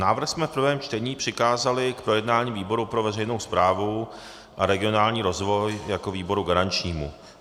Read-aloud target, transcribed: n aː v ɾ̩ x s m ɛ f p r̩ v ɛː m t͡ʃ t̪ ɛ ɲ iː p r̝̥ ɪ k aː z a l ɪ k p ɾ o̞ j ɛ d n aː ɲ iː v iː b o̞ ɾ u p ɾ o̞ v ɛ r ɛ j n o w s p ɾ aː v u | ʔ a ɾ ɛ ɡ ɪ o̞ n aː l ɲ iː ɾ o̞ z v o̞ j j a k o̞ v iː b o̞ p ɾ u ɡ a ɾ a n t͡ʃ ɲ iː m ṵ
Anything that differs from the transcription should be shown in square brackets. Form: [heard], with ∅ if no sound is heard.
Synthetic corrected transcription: n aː v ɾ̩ x s m ɛ f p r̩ v ɛː m t͡ʃ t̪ ɛ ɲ iː p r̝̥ ɪ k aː z a l ɪ k p ɾ o̞ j ɛ d n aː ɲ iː v iː b o̞ ɾ u p ɾ o̞ v ɛ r ɛ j n o w s p ɾ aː v u | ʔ a ɾ ɛ ɡ ɪ o̞ n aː l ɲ iː ɾ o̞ z v o̞ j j a k o̞ v iː b o̞ [∅] ɾ u ɡ a ɾ a n t͡ʃ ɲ iː m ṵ